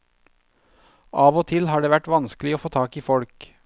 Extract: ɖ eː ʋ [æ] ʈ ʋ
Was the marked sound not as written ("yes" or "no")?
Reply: no